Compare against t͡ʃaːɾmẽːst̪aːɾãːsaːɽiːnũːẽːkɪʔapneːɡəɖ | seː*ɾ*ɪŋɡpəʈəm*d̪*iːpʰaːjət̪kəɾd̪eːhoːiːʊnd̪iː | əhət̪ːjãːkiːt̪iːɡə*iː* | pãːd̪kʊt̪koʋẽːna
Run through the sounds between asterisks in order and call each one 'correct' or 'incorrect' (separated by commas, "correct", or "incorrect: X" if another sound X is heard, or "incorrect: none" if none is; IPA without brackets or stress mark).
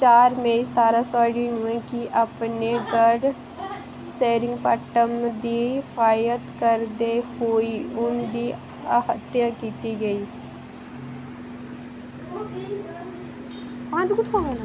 correct, correct, correct